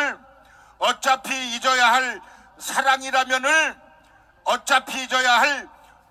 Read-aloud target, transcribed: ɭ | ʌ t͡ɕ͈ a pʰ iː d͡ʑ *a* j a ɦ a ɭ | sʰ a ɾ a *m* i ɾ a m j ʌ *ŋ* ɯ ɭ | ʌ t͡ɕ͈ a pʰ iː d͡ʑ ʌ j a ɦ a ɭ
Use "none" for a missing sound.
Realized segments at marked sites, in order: ʌ, ŋ, n

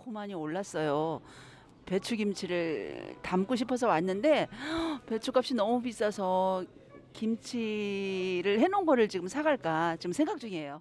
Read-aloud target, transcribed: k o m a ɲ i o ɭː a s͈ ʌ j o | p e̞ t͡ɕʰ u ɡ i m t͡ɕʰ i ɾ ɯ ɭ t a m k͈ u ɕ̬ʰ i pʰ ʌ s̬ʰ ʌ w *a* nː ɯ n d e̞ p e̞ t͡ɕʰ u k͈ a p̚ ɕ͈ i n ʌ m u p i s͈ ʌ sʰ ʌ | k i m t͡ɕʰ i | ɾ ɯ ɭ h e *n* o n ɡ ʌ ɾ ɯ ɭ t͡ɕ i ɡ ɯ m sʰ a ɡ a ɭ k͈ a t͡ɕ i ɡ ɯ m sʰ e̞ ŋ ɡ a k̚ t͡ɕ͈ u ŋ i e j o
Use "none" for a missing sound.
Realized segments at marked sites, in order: a, n

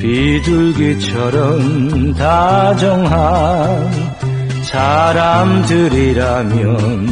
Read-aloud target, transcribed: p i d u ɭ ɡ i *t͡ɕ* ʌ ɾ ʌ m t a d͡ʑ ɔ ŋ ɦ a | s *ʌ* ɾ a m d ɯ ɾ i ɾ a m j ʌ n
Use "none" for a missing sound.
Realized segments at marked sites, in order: t͡ɕʰ, a

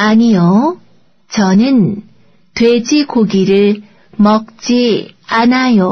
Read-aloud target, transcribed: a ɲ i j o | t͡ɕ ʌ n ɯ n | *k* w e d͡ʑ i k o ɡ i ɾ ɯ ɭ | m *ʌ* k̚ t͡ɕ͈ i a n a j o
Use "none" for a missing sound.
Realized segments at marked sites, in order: t, ʌ

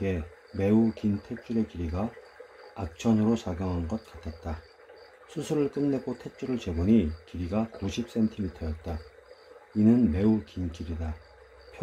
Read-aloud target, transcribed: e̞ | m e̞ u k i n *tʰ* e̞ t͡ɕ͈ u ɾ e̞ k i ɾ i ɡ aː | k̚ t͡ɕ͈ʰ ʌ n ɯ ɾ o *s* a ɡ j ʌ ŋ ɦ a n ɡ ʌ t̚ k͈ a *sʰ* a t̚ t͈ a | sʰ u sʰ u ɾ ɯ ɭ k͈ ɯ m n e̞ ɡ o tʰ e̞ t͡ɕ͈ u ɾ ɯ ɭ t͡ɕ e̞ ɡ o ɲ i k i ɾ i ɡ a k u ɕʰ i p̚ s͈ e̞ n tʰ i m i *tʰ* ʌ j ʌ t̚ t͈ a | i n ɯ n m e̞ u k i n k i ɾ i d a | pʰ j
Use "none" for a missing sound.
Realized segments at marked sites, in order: tʰ, s, tʰ, tʰ

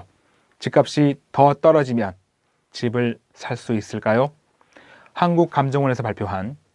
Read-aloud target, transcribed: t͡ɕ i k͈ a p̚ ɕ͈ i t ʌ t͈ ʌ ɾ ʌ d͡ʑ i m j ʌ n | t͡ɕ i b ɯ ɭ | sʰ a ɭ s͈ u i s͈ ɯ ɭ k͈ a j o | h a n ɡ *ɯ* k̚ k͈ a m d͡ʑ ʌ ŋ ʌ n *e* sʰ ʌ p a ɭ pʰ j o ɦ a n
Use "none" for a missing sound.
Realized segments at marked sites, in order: u, e

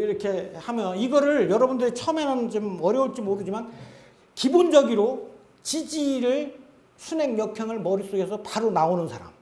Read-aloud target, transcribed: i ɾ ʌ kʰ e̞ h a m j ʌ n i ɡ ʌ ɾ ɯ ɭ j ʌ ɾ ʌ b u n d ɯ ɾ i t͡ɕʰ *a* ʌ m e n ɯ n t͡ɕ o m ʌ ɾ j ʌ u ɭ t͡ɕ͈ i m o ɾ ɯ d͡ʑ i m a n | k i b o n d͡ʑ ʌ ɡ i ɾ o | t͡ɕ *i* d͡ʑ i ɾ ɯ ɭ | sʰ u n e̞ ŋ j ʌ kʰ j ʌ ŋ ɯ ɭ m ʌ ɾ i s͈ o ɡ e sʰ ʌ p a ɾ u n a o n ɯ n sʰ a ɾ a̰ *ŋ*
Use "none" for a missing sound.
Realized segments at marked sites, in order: ʌ, i, m

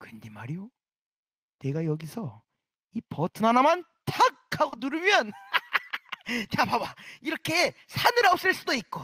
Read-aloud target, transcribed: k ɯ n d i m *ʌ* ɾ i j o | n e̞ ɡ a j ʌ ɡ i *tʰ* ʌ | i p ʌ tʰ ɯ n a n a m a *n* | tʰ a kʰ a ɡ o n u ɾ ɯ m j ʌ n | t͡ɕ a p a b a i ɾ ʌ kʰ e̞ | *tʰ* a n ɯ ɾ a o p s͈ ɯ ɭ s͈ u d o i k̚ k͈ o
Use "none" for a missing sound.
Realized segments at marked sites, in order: a, sʰ, n, sʰ

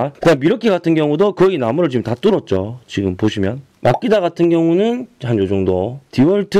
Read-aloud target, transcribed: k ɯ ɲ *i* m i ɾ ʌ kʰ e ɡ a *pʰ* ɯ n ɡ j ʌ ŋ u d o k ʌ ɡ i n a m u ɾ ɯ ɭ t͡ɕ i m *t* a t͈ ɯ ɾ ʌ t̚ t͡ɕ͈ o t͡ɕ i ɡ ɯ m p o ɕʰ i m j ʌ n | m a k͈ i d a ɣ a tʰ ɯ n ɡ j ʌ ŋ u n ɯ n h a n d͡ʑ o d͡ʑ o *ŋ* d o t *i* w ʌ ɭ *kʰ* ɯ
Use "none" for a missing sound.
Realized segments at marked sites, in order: a, tʰ, t, ŋ, i, tʰ

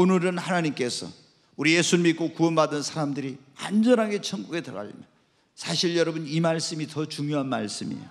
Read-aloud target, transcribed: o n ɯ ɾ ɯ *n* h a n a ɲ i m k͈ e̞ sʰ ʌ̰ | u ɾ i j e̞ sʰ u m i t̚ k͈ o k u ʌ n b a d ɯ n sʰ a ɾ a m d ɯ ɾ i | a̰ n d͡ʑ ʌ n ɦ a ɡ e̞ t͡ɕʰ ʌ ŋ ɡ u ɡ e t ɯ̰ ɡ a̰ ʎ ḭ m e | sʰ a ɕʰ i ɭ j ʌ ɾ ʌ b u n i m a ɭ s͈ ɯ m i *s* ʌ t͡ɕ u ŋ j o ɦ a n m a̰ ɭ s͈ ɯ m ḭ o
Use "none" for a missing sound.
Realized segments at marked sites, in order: n, t

